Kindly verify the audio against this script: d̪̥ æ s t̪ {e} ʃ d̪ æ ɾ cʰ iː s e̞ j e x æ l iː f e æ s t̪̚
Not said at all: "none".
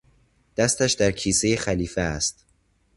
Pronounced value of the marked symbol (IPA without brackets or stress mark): æ